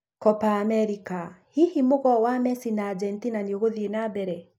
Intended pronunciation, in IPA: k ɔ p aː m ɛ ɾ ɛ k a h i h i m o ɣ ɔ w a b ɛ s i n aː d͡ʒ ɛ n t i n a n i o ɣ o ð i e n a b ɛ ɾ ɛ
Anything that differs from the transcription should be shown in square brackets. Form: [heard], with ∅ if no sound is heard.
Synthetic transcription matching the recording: k ɔ p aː m ɛ ɾ [i] k a h i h i m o ɣ ɔ w a [m] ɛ s i n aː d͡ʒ ɛ n t i n a n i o ɣ o ð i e n a b ɛ ɾ ɛ